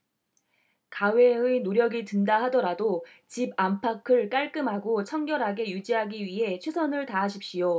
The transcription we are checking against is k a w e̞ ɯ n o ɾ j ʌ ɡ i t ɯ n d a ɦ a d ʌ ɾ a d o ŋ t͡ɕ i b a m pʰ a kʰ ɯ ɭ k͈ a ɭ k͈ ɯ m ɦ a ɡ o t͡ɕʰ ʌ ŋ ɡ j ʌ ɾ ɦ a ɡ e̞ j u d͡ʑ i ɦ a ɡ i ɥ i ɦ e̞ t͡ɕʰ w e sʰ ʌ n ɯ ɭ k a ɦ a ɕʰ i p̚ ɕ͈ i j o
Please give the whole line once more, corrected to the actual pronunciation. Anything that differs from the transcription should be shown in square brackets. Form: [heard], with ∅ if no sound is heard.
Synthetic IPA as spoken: k a w e̞ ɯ n o ɾ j ʌ ɡ i t ɯ n d a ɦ a d ʌ ɾ a d o [∅] t͡ɕ i b a m pʰ a kʰ ɯ ɭ k͈ a ɭ k͈ ɯ m ɦ a ɡ o t͡ɕʰ ʌ ŋ ɡ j ʌ ɾ ɦ a ɡ e̞ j u d͡ʑ i ɦ a ɡ i ɥ i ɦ e̞ t͡ɕʰ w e sʰ ʌ n ɯ ɭ [t] a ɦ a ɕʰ i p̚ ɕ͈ i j o